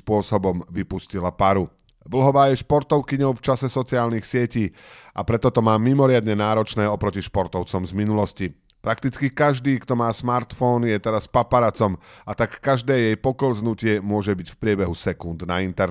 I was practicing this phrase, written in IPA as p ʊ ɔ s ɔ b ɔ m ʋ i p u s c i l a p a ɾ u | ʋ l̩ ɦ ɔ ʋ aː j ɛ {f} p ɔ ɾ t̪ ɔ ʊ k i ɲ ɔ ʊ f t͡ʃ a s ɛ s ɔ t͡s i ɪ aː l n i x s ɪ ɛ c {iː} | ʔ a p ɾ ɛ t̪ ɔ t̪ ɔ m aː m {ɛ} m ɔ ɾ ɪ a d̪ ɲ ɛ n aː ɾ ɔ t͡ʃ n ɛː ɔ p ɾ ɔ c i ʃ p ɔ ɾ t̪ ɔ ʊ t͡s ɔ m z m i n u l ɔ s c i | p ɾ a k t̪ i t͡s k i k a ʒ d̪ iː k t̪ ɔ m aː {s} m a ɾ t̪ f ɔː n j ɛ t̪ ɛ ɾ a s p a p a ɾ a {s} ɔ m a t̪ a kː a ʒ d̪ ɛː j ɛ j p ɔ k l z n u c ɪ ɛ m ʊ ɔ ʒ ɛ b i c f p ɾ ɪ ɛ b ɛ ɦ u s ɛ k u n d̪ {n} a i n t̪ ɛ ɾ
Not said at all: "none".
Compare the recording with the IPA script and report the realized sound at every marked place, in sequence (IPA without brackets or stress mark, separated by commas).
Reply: ʃ, iː, i, s, t͡s, n